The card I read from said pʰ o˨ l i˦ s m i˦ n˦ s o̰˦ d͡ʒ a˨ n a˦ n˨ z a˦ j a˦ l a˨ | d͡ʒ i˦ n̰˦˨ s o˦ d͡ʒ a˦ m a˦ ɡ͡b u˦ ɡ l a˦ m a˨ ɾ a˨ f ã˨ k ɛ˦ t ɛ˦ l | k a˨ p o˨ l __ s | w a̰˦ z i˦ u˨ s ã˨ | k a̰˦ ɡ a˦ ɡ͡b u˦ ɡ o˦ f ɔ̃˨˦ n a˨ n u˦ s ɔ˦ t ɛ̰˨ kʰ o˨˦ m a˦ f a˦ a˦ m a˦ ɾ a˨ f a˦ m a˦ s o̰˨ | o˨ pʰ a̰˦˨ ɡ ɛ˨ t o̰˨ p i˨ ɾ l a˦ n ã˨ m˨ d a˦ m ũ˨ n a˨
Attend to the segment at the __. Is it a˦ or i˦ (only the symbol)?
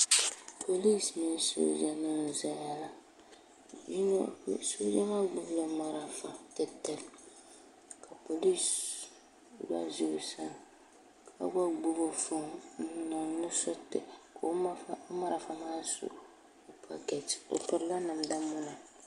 i˦